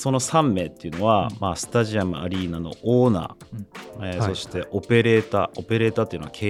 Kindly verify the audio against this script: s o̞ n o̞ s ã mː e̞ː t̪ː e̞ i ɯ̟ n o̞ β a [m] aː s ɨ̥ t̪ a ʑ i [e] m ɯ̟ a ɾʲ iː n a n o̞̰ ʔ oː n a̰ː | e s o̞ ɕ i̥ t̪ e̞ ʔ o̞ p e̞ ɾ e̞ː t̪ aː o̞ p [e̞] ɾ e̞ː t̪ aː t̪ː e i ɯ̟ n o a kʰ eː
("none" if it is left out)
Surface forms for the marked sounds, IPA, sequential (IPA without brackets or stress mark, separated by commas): m, a, e̞